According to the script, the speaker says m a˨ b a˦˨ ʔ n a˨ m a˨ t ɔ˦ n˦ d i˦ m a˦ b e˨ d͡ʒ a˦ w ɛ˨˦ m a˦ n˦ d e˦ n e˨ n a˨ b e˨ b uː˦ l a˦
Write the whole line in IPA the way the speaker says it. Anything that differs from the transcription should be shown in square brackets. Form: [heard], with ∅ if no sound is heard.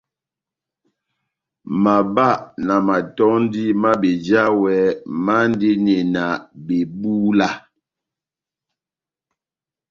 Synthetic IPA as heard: m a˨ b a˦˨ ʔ n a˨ m a˨ t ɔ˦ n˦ d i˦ m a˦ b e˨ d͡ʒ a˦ w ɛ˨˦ m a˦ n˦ d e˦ n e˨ n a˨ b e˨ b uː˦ l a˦